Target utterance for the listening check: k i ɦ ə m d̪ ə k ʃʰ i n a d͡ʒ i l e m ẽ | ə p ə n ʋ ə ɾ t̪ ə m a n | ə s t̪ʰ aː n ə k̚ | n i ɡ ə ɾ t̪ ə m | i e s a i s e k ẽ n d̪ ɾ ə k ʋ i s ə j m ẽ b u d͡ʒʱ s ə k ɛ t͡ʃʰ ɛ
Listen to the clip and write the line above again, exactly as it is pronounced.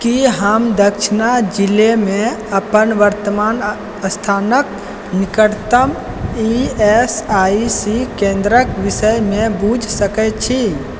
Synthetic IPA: k i ɦ ə m d̪ ə k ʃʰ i n a d͡ʒ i l e m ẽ | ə p ə n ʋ ə ɾ t̪ ə m a n | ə s t̪ʰ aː n ə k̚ | n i k ə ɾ t̪ ə m | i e s a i s i k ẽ n d̪ ɾ ə k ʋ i s ə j m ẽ b u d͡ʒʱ s ə k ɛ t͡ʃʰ i

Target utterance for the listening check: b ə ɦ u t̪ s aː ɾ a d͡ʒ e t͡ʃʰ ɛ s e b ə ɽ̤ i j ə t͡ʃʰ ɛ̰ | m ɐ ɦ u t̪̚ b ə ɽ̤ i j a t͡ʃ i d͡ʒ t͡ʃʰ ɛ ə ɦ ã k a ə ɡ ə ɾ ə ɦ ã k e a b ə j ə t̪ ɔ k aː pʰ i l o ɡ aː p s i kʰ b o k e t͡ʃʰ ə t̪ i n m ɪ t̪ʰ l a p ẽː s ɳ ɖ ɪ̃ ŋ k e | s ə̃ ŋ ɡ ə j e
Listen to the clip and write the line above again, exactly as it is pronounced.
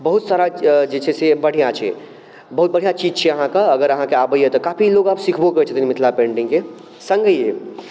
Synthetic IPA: b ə ɦ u t̪ s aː ɾ a d͡ʒ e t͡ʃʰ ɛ s e b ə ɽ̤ i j a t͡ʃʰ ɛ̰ | b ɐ ɦ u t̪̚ b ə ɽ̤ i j a t͡ʃ i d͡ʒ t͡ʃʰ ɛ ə ɦ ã k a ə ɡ ə ɾ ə ɦ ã k e a b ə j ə t̪ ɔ k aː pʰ i l o ɡ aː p s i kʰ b o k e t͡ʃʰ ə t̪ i n m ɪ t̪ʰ l a p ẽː ɳ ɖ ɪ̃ ŋ k e | s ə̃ ŋ ɡ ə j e

